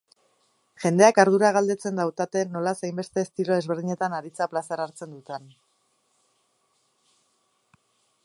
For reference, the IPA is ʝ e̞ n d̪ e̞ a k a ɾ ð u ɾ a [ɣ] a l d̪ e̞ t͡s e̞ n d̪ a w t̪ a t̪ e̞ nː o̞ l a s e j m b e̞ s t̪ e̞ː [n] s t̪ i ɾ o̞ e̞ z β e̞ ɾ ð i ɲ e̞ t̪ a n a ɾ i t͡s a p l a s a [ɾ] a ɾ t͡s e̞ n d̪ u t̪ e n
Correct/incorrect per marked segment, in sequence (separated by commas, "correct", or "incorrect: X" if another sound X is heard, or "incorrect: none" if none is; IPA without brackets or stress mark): correct, incorrect: none, correct